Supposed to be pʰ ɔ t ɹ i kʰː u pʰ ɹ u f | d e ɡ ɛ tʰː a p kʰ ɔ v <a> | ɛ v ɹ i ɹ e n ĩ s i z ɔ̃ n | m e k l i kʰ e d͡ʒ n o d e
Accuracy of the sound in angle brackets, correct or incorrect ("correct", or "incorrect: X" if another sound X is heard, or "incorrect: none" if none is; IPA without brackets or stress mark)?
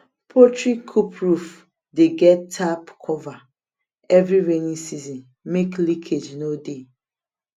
correct